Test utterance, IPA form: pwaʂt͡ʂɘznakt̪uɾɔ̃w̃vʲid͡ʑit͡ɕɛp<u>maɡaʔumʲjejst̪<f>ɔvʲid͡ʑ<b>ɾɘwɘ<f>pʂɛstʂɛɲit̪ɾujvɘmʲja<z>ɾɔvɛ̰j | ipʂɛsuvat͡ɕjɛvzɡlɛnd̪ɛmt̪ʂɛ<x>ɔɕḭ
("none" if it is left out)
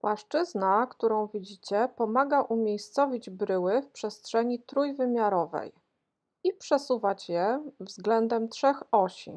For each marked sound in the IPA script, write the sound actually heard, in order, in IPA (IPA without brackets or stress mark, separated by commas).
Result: ɔ, s, b, f, none, x